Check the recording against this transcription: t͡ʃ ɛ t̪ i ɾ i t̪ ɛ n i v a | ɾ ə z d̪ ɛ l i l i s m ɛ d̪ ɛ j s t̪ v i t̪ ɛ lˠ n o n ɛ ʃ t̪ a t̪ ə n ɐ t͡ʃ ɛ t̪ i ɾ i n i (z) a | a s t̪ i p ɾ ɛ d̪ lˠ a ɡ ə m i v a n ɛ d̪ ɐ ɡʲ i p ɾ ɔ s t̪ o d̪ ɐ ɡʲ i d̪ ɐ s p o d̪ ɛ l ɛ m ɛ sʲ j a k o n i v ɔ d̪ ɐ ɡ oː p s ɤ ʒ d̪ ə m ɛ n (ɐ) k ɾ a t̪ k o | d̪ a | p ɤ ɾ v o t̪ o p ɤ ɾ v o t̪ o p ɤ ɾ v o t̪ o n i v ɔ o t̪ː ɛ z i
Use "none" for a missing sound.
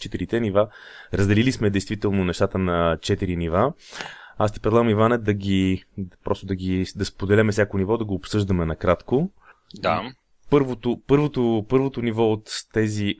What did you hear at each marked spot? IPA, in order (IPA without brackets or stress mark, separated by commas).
v, ɐ